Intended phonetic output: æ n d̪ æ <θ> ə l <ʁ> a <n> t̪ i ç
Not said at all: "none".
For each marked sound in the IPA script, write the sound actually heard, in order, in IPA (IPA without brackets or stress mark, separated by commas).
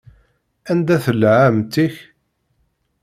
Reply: θ, ʕ, m